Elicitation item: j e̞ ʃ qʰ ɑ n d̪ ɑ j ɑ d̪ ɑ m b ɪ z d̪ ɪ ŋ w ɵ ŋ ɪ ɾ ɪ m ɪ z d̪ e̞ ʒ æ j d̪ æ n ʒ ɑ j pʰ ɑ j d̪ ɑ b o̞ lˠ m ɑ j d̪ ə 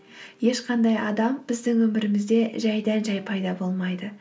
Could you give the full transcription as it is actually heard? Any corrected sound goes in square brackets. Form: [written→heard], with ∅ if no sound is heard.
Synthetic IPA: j e̞ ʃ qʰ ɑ n d̪ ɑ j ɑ d̪ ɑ m b ɪ z d̪ ɪ ŋ w ɵ [ŋ→m] ɪ ɾ ɪ m ɪ z d̪ e̞ ʒ æ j d̪ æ n ʒ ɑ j pʰ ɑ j d̪ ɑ b o̞ lˠ m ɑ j d̪ ə